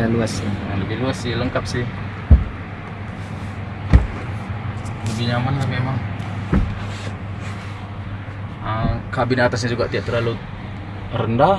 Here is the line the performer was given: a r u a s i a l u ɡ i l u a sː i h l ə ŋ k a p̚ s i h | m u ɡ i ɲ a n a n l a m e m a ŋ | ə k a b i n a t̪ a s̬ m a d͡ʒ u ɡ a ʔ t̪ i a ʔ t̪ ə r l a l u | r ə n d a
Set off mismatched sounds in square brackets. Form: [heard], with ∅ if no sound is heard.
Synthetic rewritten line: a [l] u a s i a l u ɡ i l u a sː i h l ə ŋ k a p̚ s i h | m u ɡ i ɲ a [m] a n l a m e m a ŋ | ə k a b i n a t̪ a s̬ [ɲ] a d͡ʒ u ɡ a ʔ t̪ i a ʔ t̪ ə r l a l u | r ə n d a